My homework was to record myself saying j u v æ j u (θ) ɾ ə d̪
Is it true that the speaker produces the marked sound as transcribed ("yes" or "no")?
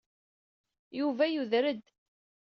no